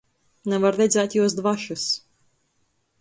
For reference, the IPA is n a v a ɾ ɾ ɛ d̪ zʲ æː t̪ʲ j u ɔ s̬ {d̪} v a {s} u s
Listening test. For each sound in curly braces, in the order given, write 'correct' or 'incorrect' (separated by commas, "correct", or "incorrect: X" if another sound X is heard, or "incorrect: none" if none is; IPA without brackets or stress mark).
correct, incorrect: ʃ